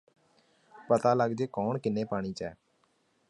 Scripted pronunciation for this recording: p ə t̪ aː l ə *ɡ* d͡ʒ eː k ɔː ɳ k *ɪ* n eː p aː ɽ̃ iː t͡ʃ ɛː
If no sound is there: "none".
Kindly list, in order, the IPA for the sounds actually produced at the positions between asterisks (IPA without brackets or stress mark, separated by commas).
ɡ, ɪ